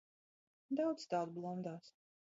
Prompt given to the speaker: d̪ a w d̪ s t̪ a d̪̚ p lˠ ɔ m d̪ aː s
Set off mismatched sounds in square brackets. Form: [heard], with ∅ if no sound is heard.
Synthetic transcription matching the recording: d̪ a w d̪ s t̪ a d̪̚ [b] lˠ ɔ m d̪ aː s